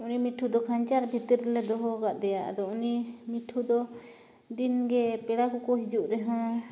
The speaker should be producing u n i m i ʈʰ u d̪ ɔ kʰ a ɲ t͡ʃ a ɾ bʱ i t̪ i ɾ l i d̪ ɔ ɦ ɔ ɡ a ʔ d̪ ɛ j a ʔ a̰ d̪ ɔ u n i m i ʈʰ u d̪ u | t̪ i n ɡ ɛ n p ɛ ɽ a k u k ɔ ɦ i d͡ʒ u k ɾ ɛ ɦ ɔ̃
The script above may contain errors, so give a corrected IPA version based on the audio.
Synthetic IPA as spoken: u n i m i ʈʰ u d̪ ɔ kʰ a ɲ t͡ʃ a ɾ bʱ i t̪ i ɾ l ɛ d̪ ɔ ɦ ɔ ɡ a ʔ d̪ ɛ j a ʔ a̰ d̪ ɔ u n i m i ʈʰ u d̪ ɔ | d̪ i n ɡ ɛ p ɛ ɽ a k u k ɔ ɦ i d͡ʒ u ʔ ɾ ɛ ɦ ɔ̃